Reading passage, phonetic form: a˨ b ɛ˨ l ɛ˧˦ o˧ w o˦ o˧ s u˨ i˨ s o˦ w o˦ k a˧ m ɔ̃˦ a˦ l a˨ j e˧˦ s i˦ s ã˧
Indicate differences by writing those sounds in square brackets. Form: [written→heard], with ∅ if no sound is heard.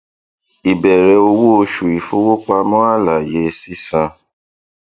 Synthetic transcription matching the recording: [a˨→i˨] b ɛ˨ [l→ɾ] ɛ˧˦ o˧ w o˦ o˧ [s→ʃ] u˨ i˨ [s→f] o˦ w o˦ [k→k͡p] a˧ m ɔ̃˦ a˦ l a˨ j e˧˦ s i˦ s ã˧

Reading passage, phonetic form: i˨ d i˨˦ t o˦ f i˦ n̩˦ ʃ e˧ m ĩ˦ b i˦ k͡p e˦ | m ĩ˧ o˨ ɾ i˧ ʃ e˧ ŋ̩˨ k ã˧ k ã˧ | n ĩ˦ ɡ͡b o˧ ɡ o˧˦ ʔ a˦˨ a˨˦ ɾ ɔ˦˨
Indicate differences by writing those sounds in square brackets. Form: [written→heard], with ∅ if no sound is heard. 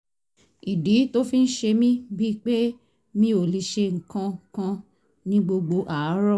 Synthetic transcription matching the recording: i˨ d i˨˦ t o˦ f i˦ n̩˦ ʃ e˧ m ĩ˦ b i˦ k͡p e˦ | m ĩ˧ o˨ [ɾ→l] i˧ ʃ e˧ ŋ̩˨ k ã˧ k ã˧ | n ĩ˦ ɡ͡b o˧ [ɡ→ɡ͡b] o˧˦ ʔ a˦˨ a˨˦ ɾ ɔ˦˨

